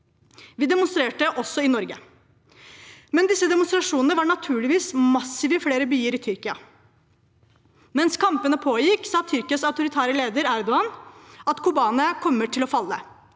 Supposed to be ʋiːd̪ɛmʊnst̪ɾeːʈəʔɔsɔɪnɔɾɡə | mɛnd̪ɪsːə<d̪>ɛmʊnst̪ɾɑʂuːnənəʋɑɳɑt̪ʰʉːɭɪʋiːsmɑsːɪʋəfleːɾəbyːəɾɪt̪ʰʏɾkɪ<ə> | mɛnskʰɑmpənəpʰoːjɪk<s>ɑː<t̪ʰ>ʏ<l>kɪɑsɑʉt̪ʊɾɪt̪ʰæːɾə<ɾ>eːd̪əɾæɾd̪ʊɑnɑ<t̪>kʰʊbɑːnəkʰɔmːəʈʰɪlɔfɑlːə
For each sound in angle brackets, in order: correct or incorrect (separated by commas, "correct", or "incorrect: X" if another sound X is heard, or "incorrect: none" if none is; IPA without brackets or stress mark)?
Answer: correct, incorrect: ɑ, correct, correct, incorrect: ɾ, incorrect: l, correct